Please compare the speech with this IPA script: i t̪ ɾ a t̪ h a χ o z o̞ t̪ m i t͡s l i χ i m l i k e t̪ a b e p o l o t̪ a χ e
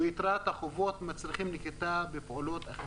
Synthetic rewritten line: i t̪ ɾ a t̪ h a χ o v o̞ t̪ m a t͡s l i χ i m l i k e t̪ a b e p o l o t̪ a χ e